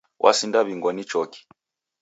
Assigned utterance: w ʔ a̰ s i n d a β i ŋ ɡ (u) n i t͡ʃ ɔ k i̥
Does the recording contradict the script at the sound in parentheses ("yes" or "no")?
yes